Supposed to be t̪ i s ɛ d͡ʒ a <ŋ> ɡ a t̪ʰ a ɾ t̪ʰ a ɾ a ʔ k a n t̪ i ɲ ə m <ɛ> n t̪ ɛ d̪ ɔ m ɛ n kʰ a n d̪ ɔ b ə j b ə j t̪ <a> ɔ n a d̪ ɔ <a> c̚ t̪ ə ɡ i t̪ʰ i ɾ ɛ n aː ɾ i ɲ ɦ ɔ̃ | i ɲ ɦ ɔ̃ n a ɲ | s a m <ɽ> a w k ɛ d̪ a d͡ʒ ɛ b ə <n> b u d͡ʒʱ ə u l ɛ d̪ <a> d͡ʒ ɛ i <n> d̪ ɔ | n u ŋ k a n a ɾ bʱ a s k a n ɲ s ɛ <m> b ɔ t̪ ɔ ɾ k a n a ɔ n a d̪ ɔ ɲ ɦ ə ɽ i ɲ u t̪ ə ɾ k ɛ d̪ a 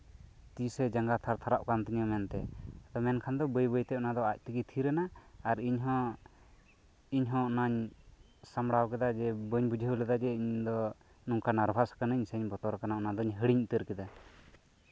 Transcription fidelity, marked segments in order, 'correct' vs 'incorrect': correct, correct, incorrect: ɛ, correct, correct, incorrect: ɲ, correct, incorrect: ɲ, incorrect: ɲ

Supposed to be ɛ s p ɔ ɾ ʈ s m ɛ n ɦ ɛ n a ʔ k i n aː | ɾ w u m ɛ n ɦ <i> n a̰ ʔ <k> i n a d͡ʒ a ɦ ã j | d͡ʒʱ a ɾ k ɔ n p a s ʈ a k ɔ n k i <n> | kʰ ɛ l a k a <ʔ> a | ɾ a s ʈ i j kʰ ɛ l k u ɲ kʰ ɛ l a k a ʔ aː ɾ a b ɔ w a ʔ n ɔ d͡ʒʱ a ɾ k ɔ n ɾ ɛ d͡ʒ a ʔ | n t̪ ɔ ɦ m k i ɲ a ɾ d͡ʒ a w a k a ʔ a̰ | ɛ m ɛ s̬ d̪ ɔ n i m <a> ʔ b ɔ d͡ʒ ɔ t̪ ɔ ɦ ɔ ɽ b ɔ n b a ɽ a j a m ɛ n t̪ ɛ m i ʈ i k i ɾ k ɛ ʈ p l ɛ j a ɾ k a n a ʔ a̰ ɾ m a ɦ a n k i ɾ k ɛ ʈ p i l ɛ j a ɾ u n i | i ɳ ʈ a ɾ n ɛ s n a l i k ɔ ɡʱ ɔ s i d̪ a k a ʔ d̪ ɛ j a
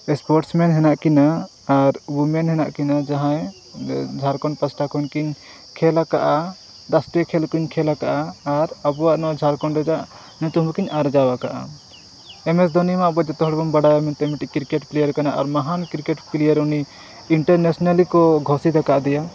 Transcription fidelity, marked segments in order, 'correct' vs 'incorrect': incorrect: ɛ, correct, incorrect: ɲ, correct, correct

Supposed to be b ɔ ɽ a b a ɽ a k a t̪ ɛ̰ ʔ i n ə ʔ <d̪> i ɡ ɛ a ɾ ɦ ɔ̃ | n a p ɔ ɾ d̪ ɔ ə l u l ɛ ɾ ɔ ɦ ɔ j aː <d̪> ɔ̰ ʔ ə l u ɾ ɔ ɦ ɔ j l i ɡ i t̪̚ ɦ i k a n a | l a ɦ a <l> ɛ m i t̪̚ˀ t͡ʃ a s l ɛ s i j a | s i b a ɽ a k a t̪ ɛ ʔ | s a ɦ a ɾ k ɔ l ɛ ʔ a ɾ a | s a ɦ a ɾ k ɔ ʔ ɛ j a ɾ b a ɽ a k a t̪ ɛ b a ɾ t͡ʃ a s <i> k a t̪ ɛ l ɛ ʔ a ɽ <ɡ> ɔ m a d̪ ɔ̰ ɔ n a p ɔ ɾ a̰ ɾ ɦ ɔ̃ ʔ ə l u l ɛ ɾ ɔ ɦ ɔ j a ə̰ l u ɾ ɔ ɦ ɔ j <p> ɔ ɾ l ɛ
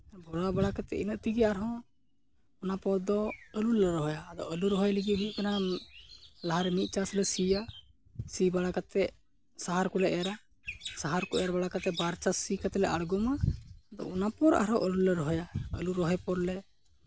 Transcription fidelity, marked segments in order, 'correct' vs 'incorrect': incorrect: t̪, correct, incorrect: ɾ, correct, correct, correct

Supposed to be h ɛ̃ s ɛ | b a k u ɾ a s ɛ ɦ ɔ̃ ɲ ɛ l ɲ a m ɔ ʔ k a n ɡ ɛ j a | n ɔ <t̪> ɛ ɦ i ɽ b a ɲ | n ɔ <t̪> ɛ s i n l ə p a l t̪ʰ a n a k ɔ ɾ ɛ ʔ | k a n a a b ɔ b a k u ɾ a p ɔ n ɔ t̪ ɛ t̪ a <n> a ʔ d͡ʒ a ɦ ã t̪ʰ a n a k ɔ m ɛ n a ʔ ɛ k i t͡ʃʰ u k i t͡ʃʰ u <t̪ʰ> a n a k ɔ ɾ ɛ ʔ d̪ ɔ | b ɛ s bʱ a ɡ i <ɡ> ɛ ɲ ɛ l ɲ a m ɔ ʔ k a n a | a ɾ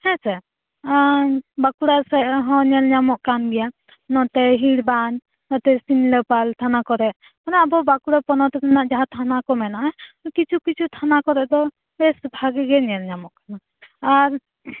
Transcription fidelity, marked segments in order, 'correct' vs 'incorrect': correct, correct, correct, correct, correct

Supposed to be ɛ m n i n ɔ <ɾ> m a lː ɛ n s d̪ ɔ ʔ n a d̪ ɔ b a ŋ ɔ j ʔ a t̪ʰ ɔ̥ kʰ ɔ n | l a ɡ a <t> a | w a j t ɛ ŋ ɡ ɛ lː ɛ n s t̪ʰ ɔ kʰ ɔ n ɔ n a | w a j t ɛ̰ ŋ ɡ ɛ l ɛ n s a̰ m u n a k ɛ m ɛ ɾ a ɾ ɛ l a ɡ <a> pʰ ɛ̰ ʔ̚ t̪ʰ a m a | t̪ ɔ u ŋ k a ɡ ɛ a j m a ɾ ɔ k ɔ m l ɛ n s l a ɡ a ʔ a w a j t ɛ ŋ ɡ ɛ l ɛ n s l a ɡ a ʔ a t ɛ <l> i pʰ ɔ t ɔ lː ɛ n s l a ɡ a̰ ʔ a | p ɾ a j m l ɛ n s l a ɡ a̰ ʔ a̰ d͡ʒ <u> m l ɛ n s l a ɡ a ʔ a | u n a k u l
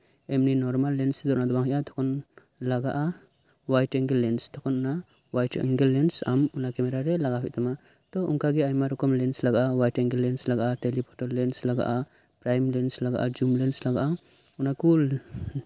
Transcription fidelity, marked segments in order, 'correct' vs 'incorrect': correct, incorrect: ʔ, correct, correct, correct

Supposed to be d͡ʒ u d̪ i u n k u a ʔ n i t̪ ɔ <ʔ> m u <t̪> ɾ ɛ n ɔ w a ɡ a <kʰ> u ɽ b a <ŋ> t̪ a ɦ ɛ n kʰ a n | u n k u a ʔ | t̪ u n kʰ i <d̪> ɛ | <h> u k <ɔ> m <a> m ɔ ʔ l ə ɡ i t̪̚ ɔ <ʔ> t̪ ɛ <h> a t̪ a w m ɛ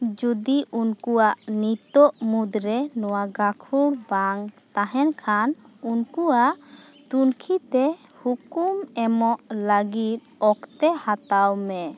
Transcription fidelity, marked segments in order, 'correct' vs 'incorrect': correct, incorrect: d̪, correct, correct, incorrect: t̪, correct, incorrect: u, incorrect: ɛ, incorrect: k, correct

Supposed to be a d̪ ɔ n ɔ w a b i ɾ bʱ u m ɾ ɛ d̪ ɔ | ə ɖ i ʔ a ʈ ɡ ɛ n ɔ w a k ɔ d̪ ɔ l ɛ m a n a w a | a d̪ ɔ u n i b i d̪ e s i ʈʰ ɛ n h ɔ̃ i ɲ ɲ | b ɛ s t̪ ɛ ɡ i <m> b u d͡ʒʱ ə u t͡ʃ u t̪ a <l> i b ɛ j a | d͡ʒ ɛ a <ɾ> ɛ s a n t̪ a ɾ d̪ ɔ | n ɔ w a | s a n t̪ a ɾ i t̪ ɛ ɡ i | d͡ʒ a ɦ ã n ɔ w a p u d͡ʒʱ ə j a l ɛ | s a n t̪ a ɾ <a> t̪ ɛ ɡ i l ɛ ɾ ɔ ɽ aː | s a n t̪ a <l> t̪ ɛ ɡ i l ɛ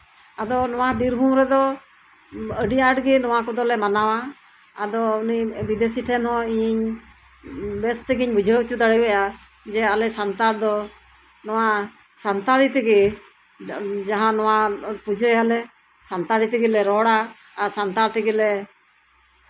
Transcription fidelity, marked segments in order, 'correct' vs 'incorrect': incorrect: ɲ, incorrect: ɽ, incorrect: l, incorrect: i, incorrect: ɾ

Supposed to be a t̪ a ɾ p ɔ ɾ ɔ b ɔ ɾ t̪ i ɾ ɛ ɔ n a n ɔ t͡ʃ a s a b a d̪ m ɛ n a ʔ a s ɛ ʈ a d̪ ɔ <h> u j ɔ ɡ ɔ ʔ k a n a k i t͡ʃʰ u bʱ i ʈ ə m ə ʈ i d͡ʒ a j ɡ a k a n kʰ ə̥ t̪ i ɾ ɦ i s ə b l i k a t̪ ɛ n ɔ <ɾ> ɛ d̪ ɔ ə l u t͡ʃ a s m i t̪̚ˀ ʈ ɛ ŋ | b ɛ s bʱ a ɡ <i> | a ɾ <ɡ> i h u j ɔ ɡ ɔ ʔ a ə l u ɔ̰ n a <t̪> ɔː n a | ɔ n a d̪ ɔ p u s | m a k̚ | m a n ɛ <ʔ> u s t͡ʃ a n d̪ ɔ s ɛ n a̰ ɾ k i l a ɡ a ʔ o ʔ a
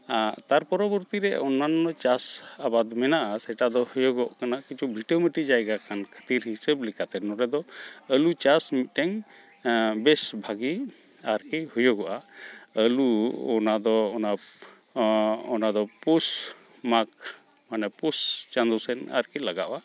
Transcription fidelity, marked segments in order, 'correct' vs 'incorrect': correct, correct, correct, incorrect: k, incorrect: d̪, incorrect: p

